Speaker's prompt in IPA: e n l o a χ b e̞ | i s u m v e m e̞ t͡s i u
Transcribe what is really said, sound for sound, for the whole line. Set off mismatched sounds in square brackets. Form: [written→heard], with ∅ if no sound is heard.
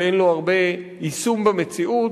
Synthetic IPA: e n l o a [χ→ʁ] b e̞ | i s u m [v→b] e m e̞ t͡s i u